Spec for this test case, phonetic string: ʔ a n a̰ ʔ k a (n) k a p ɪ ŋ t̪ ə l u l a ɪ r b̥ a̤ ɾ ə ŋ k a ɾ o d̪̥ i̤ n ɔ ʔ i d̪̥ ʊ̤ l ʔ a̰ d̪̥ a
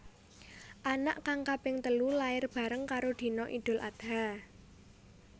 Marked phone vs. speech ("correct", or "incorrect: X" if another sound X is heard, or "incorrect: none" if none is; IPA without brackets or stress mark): incorrect: ŋ